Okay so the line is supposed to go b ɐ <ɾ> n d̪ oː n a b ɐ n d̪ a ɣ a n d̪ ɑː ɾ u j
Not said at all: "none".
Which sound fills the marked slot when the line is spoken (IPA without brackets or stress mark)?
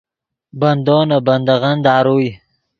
none